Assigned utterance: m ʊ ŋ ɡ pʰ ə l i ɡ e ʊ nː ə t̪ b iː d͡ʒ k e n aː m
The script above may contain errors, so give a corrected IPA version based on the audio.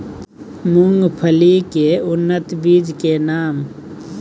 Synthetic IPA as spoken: m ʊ ŋ ɡ pʰ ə l i k e ʊ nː ə t̪ b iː d͡ʒ k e n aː m